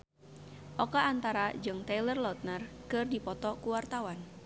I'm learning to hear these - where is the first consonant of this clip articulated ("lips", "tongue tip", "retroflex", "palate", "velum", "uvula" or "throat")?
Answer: throat